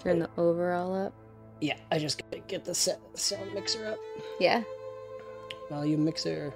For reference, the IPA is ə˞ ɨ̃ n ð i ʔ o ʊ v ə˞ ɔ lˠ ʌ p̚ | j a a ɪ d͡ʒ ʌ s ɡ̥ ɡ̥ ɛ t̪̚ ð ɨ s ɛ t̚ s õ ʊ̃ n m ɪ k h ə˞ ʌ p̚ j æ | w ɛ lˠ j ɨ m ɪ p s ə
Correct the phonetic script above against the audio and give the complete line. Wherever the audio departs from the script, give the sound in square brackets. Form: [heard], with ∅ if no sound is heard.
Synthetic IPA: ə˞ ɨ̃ n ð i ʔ o ʊ v ə˞ ɔ lˠ ʌ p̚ | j [æ] a ɪ d͡ʒ ʌ s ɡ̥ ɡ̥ ɛ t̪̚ ð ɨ s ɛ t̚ s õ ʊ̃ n m ɪ k [s] ə˞ ʌ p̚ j æ | w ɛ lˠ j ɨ m ɪ [k] s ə